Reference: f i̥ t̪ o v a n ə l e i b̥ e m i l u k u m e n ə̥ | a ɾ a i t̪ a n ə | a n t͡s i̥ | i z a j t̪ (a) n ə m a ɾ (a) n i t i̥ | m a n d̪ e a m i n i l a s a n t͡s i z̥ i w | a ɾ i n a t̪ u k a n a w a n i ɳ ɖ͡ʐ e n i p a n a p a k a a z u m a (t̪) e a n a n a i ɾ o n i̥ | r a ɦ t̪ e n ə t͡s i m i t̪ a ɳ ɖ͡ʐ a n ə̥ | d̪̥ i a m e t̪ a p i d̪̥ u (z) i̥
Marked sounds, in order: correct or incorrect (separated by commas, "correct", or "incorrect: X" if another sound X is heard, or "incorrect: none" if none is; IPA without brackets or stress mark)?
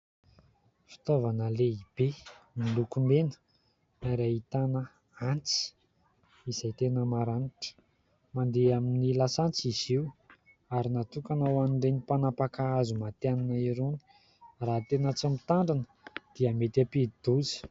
incorrect: e, correct, correct, correct